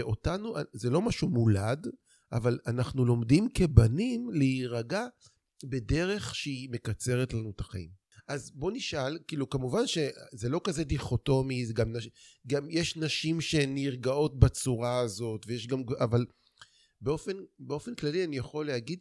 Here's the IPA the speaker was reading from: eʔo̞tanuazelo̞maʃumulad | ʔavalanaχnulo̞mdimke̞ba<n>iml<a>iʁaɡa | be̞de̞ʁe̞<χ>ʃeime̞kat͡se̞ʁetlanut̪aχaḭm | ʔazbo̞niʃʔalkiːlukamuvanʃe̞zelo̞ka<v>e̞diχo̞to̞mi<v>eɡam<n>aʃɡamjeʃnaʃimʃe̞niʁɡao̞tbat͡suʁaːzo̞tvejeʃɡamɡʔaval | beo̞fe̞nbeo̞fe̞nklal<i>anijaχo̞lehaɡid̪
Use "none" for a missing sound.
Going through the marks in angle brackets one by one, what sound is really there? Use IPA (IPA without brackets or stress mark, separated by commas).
n, e, χ, z, z, n, i